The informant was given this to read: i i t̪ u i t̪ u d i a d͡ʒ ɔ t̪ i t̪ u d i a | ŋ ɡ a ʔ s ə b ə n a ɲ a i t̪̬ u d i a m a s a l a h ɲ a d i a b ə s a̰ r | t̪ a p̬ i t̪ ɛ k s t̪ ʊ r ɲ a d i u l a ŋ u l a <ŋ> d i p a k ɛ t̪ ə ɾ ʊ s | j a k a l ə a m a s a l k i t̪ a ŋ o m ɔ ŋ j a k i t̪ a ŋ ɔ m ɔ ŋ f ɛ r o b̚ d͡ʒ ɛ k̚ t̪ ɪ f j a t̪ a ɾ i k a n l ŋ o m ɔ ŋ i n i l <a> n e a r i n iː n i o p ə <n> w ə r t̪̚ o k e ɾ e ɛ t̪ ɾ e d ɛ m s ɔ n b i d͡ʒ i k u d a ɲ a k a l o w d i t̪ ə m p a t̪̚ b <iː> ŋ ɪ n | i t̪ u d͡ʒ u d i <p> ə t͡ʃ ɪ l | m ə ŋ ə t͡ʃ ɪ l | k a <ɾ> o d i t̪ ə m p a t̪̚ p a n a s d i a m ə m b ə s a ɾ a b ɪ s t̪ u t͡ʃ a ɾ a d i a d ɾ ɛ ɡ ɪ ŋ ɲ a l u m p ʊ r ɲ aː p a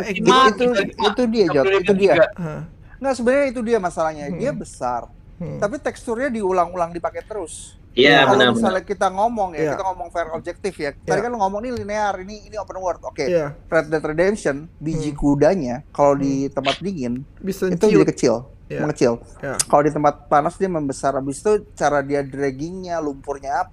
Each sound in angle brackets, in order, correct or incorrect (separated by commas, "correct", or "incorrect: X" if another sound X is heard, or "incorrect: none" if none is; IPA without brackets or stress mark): correct, incorrect: i, correct, incorrect: i, incorrect: k, incorrect: l